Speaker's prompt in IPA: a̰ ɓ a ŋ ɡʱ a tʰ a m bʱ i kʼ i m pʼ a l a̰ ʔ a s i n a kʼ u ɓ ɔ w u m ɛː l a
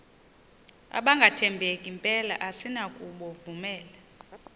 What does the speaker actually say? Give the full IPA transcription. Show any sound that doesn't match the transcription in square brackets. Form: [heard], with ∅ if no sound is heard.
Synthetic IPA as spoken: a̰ ɓ a ŋ ɡʱ a tʰ [ɛ] m bʱ [e] kʼ i m pʼ [ɛ] l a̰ ʔ a s i n a kʼ u ɓ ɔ [v] u m ɛː l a